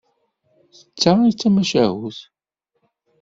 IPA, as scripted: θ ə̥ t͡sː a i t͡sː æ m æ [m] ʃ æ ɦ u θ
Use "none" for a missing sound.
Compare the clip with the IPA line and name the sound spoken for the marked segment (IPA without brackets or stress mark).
none